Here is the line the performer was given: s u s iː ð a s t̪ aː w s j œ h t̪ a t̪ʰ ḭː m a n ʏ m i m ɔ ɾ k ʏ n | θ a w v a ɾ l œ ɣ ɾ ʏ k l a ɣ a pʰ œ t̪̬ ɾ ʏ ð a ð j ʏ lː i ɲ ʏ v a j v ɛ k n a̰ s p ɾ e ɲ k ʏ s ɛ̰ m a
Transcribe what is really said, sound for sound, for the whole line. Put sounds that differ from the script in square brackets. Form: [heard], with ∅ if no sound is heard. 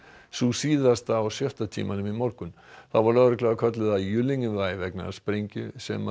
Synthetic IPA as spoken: s u s iː ð a s t̪ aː w s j œ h t̪ a t̪ʰ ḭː m a n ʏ m i m ɔ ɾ k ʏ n | θ a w v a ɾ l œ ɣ ɾ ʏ k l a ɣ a [kʰ] œ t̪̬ [l] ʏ ð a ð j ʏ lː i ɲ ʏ v a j v ɛ k n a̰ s p ɾ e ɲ [c] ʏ s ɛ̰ m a